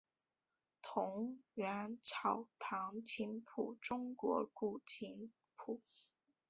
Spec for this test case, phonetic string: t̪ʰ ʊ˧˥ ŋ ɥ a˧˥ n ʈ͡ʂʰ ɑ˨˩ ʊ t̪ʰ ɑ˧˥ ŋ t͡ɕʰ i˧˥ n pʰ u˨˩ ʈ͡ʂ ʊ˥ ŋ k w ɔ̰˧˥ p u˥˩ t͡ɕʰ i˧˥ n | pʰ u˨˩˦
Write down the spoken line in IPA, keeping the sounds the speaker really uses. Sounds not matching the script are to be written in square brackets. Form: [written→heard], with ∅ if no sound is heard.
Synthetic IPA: t̪ʰ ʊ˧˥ ŋ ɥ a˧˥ n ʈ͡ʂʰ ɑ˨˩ ʊ t̪ʰ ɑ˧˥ ŋ t͡ɕʰ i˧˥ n pʰ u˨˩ ʈ͡ʂ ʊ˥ ŋ k w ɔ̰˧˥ [p→k] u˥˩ t͡ɕʰ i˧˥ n | pʰ u˨˩˦